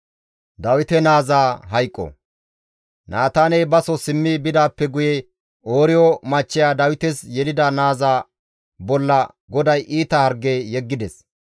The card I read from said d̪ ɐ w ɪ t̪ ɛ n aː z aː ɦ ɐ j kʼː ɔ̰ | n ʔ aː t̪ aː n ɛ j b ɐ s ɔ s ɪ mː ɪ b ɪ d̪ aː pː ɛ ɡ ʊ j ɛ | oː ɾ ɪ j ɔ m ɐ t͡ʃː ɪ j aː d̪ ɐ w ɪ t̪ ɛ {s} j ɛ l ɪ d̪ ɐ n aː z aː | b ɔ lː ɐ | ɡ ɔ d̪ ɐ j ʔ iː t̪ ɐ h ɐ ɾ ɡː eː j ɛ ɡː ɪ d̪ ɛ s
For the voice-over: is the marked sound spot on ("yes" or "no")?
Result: yes